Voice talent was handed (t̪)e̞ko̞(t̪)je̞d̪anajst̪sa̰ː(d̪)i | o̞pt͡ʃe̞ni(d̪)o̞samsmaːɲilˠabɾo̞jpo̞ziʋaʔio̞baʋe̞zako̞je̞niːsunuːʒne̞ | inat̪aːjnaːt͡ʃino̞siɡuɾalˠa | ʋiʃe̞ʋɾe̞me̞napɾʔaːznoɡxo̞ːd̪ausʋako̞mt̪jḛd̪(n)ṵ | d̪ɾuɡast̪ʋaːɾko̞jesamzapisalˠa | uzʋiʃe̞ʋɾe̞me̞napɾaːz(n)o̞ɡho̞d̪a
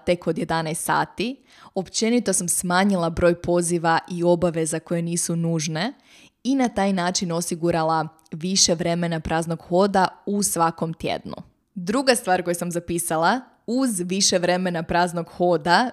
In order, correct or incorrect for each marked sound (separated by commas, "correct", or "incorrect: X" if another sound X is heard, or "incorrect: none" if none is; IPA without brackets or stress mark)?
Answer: correct, incorrect: d̪, incorrect: t̪, incorrect: t̪, correct, correct